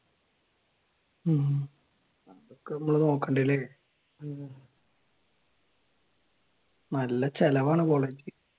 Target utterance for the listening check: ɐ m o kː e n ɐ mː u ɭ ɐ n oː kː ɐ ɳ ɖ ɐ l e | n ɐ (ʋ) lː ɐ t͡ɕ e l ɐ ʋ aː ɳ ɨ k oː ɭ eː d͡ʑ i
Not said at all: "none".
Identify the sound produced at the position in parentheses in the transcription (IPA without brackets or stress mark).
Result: none